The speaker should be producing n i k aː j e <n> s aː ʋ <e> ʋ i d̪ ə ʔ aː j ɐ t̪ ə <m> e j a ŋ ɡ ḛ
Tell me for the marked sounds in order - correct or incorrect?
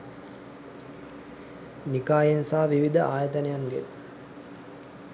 correct, incorrect: i, incorrect: n

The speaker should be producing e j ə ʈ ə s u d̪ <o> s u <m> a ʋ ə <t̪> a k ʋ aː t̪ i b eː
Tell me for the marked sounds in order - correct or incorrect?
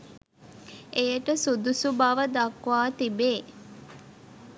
incorrect: u, incorrect: b, incorrect: d̪

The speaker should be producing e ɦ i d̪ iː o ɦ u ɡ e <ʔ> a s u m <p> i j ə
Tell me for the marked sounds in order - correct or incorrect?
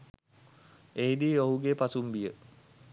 incorrect: p, incorrect: b

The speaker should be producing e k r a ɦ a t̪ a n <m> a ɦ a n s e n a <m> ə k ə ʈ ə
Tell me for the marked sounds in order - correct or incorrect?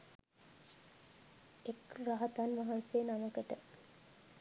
correct, correct

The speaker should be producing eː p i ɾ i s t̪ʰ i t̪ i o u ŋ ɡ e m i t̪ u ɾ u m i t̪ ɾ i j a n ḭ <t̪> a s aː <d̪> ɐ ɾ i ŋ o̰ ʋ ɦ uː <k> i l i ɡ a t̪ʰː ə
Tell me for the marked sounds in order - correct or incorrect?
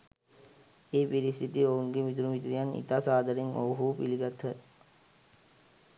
correct, correct, incorrect: p

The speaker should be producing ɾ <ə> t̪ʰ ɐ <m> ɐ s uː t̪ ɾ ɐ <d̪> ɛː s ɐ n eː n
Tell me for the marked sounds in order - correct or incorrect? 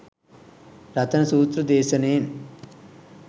incorrect: ɐ, incorrect: n, correct

